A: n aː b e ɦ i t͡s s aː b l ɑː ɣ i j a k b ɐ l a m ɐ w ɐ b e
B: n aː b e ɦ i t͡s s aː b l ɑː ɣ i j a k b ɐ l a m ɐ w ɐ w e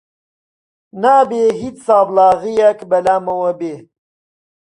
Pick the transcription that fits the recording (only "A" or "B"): A